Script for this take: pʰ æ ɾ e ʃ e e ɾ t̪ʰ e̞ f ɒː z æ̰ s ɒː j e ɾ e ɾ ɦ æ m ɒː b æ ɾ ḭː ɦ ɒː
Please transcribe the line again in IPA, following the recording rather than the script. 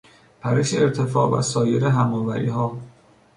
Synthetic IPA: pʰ æ ɾ e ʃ e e ɾ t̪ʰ e̞ f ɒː v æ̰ s ɒː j e ɾ e ɦ æ m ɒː v æ ɾ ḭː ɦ ɒː